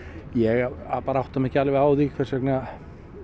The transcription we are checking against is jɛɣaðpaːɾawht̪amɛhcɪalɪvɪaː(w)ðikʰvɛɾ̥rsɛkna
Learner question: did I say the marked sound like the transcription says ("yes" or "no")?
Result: yes